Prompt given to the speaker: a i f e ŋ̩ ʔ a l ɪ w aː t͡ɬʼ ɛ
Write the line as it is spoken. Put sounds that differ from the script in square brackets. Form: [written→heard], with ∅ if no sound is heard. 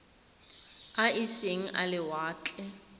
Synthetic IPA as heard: a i [f→s] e ŋ̩ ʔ a l ɪ w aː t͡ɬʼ ɛ